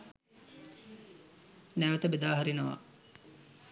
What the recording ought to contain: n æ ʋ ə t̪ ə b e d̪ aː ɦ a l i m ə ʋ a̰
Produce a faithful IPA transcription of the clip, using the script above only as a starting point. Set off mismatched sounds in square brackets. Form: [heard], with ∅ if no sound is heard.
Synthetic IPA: n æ ʋ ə t̪ ə b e d̪ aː ɦ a [ɾ] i [n] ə ʋ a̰